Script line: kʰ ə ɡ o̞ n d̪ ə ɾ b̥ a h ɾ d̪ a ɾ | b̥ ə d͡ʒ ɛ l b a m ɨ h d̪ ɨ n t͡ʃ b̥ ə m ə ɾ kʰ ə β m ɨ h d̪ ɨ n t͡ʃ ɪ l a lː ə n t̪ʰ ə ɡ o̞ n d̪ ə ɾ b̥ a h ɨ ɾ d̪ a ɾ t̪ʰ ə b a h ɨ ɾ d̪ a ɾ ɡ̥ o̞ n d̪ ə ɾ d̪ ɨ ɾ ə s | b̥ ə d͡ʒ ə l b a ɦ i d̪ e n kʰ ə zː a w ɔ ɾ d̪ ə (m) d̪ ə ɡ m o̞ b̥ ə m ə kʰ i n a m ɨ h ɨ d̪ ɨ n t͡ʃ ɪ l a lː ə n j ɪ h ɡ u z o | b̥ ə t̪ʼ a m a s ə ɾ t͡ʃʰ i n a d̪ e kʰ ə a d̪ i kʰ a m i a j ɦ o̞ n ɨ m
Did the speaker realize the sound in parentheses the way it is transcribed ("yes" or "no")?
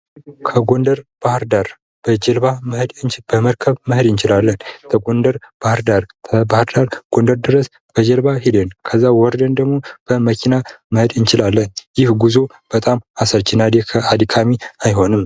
no